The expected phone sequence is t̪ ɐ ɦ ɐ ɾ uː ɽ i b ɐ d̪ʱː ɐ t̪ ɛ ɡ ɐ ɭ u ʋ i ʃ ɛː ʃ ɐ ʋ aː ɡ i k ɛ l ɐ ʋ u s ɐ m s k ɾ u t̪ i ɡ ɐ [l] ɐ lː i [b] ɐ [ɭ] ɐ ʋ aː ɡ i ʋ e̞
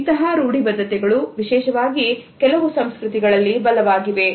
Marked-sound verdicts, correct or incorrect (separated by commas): incorrect, correct, incorrect